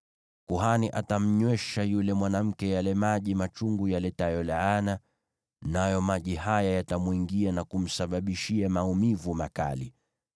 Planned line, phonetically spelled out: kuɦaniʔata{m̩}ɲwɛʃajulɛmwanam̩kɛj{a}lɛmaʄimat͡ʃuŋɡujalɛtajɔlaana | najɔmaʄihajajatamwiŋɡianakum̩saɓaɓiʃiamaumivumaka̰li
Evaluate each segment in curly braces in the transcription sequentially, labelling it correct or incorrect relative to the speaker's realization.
correct, correct

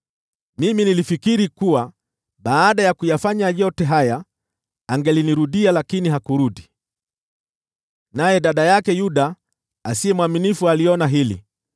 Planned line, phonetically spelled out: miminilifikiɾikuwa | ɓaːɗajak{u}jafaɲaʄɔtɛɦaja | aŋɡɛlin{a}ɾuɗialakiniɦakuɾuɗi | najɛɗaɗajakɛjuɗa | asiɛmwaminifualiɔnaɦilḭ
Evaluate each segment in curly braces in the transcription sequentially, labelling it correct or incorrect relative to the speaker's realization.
correct, incorrect

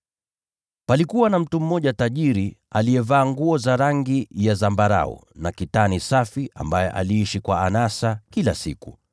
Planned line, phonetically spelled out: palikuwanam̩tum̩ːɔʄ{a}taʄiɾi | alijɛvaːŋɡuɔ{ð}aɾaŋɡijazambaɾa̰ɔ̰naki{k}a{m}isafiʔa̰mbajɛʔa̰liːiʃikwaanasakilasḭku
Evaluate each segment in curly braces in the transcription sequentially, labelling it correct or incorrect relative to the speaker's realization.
correct, incorrect, incorrect, incorrect

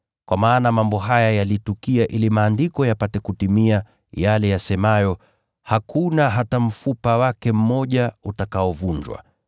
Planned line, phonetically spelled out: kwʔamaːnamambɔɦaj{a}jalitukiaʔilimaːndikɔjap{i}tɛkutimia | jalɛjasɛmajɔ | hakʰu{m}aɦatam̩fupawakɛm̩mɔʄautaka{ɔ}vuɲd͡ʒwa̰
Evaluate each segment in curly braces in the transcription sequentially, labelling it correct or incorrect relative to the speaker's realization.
correct, incorrect, incorrect, correct

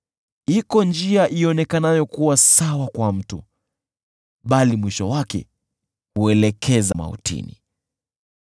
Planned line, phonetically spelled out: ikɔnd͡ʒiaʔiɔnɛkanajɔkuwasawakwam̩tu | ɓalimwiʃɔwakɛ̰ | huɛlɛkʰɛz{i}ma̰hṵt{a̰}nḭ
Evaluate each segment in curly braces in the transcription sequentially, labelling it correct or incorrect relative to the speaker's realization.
incorrect, incorrect

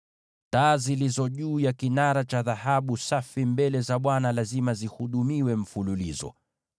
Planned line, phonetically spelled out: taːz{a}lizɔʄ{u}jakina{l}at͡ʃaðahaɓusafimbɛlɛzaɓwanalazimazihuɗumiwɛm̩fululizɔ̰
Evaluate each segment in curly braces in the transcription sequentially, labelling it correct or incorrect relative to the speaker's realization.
incorrect, incorrect, incorrect

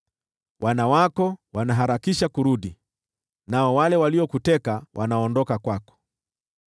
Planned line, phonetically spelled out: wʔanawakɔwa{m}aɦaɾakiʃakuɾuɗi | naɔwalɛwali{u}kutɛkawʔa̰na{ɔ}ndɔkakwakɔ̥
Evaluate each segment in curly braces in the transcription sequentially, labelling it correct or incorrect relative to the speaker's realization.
incorrect, incorrect, correct

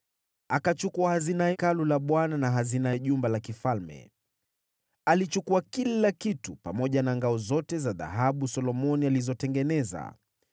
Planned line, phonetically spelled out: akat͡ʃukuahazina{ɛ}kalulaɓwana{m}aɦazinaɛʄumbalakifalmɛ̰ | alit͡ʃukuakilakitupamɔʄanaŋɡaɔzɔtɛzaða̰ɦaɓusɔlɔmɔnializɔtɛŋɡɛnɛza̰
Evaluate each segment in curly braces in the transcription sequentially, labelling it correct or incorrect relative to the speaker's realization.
correct, incorrect

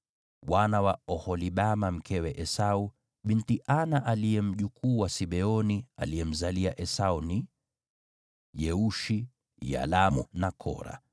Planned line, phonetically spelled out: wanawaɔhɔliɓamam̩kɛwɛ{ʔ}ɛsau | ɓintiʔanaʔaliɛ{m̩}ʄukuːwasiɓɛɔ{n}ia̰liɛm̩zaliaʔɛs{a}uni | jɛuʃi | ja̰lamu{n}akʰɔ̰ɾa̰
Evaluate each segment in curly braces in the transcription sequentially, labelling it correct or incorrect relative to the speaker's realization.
correct, correct, correct, correct, correct

